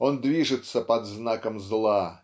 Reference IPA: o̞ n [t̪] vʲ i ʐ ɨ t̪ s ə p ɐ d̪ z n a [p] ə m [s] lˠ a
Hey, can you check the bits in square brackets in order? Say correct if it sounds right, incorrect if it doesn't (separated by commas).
incorrect, incorrect, incorrect